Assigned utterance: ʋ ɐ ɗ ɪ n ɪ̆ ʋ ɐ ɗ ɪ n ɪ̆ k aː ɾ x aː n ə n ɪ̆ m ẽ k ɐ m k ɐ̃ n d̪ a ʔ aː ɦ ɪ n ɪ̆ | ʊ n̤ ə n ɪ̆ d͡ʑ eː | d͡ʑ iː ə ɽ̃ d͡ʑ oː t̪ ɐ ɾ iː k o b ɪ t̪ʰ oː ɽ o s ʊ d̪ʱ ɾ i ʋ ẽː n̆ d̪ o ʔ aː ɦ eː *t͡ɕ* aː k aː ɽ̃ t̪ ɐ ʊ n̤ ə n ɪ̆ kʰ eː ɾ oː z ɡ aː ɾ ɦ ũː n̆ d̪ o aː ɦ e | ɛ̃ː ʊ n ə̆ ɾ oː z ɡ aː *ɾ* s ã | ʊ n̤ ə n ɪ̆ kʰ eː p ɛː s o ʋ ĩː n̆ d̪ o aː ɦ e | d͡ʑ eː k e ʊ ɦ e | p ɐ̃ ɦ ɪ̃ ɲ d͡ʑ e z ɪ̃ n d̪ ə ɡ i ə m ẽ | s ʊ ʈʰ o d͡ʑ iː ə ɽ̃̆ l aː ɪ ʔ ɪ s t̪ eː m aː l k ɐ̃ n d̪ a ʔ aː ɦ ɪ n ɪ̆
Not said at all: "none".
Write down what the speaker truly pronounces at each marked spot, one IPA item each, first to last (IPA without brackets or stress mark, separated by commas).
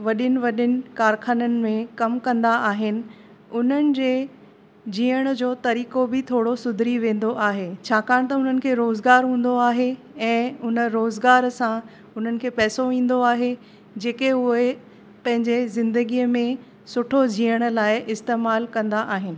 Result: t͡ɕʰ, ɾ